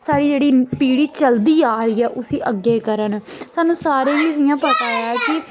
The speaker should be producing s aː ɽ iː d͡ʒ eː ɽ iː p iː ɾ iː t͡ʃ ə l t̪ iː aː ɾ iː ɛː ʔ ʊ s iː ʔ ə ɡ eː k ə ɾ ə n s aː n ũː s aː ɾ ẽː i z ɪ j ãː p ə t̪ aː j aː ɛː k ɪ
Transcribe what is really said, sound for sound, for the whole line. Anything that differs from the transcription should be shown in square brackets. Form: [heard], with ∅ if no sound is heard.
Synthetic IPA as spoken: s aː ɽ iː d͡ʒ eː ɽ iː p iː [ɽ] iː t͡ʃ ə l [d̪] iː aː ɾ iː ɛː ʔ ʊ s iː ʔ ə ɡ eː k ə ɾ ə n s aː n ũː s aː ɾ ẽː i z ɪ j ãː p ə t̪ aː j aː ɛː k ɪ